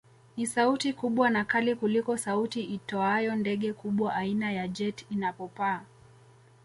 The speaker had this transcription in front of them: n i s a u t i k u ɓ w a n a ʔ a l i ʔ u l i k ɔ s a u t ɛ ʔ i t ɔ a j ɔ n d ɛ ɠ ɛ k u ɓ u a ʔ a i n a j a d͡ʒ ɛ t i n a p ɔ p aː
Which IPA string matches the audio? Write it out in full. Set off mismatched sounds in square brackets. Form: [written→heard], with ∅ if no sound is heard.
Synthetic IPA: n i s a u t i k u ɓ w a n a [ʔ→k] a l i [ʔ→k] u l i k ɔ s a u t [ɛ→i] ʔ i t ɔ a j ɔ n d ɛ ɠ ɛ k u ɓ [u→w] a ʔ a i n a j a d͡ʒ ɛ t i n a p ɔ p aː